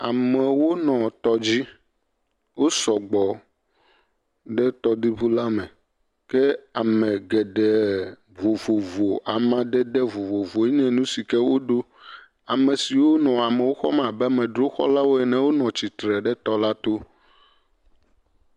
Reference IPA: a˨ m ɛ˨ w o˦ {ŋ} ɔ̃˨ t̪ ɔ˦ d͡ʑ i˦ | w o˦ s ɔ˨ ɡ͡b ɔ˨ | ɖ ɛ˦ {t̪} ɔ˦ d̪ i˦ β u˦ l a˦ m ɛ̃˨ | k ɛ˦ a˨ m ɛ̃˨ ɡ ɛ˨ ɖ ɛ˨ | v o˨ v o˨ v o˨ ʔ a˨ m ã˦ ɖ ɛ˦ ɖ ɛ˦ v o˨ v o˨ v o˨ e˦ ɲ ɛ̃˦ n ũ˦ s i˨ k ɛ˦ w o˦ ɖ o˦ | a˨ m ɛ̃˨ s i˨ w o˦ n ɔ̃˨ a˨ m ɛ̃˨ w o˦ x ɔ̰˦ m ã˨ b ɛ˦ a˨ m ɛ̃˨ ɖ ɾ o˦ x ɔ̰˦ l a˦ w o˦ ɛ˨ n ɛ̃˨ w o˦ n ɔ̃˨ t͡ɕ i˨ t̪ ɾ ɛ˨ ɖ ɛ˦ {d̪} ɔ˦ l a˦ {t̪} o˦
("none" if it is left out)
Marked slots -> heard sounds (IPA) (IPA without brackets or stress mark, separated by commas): n, t̪, t̪, t̪